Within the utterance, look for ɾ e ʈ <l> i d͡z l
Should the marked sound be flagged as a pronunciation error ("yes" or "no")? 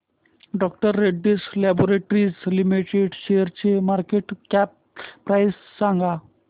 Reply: yes